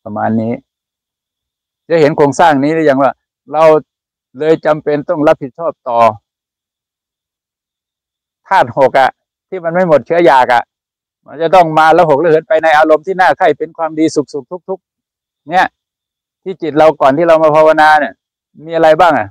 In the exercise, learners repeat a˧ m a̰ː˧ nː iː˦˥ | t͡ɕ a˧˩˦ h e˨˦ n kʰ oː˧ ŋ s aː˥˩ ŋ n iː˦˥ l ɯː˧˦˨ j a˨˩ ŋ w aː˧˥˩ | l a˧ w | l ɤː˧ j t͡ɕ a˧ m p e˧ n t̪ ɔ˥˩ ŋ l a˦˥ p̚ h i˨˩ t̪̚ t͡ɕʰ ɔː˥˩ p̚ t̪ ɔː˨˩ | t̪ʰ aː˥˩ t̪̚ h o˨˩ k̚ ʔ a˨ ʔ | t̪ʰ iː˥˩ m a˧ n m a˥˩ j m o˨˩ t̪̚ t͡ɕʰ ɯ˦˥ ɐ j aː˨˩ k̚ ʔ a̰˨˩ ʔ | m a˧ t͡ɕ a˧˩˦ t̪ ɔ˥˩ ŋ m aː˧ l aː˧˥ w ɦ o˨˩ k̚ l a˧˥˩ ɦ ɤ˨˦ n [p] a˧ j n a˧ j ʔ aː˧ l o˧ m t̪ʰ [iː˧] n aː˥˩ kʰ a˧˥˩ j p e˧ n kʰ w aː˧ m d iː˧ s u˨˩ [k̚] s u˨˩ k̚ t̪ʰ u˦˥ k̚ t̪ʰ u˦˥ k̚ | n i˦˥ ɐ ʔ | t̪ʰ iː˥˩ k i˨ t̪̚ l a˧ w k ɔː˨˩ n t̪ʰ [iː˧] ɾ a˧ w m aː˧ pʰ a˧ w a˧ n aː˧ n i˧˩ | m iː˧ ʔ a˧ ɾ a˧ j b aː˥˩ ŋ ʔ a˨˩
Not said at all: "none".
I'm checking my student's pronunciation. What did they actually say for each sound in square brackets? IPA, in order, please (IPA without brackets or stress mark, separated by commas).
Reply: p, iː˥˩, k̚, iː˥˩